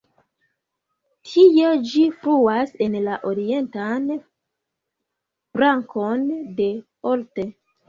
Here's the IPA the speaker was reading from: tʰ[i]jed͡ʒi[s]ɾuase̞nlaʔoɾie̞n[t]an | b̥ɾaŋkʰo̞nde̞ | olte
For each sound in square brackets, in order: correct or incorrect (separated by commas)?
correct, incorrect, correct